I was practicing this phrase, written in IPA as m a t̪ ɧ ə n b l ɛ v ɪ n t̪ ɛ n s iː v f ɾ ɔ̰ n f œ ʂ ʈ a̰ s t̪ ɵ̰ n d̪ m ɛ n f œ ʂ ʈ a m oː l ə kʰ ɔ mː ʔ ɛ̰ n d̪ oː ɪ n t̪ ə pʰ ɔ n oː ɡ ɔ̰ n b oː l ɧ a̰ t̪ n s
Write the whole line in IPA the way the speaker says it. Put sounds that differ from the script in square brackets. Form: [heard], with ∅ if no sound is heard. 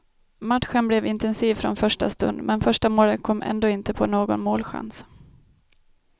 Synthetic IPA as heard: m a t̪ ɧ ə n b l ɛ v ɪ n t̪ ɛ n s iː v f ɾ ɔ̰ n f œ ʂ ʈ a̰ s t̪ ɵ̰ n d̪ m ɛ n f œ ʂ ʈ a m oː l ə kʰ ɔ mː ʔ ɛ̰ n d̪ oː ɪ n t̪ ə pʰ ɔ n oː ɡ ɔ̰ n [m] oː l ɧ a̰ [∅] n s